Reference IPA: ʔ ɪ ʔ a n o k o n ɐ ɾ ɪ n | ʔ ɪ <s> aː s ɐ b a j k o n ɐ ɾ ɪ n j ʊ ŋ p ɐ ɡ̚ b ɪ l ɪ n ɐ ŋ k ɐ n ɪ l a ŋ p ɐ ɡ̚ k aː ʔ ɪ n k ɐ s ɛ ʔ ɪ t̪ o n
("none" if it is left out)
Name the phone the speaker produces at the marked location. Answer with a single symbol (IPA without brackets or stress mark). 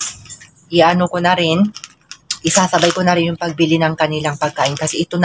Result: s